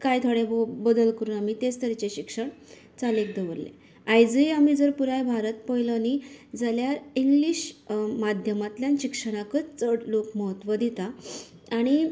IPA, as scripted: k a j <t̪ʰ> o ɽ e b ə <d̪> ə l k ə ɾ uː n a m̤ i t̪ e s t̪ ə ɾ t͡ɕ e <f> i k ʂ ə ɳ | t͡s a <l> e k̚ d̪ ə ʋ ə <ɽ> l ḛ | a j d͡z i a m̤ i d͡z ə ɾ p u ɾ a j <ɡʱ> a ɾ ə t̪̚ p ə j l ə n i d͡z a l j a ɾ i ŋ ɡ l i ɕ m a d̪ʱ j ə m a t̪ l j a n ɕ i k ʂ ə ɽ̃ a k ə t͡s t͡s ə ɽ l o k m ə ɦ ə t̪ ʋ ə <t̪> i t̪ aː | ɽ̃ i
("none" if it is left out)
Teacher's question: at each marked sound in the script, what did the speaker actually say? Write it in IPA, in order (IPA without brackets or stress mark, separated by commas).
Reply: t̪ʰ, d̪, ɕ, l, ɾ, bʱ, d̪